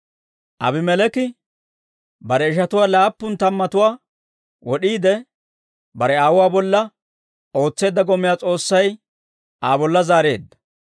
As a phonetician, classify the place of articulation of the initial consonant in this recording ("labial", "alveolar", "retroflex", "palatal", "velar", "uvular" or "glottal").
glottal